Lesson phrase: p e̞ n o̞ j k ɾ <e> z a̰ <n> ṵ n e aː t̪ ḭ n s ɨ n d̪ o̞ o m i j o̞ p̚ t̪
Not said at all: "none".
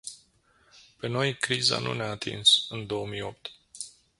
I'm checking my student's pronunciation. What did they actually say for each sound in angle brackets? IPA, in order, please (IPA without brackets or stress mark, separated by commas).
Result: i, n